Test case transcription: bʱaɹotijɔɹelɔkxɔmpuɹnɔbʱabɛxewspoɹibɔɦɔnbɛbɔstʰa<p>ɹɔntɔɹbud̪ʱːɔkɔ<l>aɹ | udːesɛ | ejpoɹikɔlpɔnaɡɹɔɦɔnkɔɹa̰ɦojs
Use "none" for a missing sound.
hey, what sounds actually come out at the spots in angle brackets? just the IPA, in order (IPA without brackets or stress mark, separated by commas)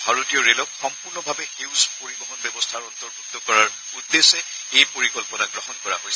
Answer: none, ɹ